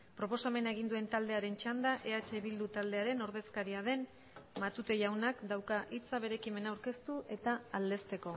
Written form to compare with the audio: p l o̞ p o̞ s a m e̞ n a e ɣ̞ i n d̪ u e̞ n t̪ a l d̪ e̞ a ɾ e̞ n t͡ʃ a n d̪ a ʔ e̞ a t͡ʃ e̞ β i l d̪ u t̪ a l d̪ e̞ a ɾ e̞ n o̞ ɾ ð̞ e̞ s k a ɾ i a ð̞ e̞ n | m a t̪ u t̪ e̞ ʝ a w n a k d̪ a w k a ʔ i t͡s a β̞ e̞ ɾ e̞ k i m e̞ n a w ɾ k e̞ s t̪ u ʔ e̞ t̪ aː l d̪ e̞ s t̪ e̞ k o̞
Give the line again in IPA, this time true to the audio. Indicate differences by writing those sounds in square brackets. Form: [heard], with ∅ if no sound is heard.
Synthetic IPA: p [ɾ] o̞ p o̞ s a m e̞ n a e ɣ̞ i n d̪ u e̞ n t̪ a l d̪ e̞ a ɾ e̞ n t͡ʃ a n d̪ a ʔ e̞ a t͡ʃ e̞ β i l d̪ u t̪ a l d̪ e̞ a ɾ e̞ n o̞ ɾ ð̞ e̞ s k a ɾ i a ð̞ e̞ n | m a t̪ u t̪ e̞ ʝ a w n a k d̪ a w k a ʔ i t͡s a β̞ e̞ ɾ e̞ k i m e̞ n a w ɾ k e̞ s t̪ u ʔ e̞ t̪ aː l d̪ e̞ s t̪ e̞ k o̞